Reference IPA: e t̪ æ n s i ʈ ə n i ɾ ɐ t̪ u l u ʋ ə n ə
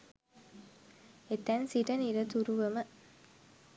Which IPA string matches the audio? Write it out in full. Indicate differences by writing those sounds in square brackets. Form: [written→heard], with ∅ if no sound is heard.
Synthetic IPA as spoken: e t̪ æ n s i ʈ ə n i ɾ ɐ t̪ u [l→ɾ] u ʋ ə [n→m] ə